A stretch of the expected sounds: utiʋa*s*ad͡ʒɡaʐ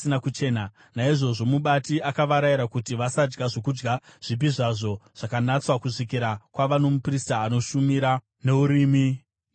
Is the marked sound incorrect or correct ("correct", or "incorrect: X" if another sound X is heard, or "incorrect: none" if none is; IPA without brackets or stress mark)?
correct